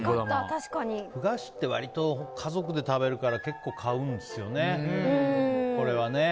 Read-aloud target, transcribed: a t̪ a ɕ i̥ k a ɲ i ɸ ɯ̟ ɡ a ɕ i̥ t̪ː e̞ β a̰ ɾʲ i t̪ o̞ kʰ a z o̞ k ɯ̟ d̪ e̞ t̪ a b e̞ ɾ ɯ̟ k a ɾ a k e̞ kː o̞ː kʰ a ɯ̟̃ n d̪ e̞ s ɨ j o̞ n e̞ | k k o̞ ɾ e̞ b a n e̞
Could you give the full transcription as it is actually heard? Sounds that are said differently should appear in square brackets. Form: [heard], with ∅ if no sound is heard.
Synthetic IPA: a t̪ a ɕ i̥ k a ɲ i ɸ ɯ̟ ɡ a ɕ i̥ t̪ː e̞ β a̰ ɾʲ i t̪ o̞ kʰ a z o̞ k ɯ̟ d̪ e̞ t̪ a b e̞ ɾ ɯ̟ k a ɾ a k e̞ kː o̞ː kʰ a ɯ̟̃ n d̪ e̞ s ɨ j o̞ n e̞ | k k o̞ ɾ e̞ [β] a n e̞